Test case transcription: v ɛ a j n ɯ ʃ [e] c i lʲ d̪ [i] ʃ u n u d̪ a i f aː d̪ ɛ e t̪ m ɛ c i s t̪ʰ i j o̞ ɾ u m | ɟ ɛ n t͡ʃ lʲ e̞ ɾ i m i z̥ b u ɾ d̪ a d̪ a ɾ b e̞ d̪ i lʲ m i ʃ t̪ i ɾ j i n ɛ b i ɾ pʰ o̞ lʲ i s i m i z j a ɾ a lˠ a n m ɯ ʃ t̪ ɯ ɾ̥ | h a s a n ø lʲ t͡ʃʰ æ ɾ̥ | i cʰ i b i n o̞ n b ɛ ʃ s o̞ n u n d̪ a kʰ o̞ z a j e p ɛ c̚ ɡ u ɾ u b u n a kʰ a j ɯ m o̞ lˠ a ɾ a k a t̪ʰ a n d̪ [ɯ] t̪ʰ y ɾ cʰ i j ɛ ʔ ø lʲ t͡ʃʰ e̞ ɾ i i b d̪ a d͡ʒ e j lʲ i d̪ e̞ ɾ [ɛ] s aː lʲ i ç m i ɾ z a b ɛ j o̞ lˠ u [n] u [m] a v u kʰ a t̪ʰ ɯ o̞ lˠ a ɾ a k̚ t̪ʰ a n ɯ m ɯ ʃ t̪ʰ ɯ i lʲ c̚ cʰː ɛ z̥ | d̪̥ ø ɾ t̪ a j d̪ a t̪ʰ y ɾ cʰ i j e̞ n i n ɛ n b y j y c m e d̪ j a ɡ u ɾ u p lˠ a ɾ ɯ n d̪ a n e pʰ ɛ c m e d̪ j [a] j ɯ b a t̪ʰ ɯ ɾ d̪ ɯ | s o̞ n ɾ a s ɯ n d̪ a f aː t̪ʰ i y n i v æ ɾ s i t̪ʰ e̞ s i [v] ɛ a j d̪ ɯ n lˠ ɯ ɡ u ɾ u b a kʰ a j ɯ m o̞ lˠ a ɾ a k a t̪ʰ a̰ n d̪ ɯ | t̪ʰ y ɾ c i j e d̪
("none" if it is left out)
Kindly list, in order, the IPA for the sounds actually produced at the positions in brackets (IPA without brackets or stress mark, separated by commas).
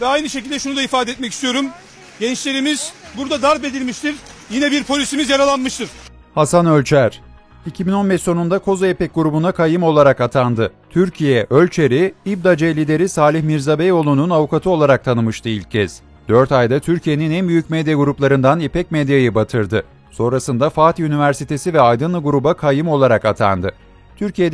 e, ɛ, ɯ, i, n, n, a, v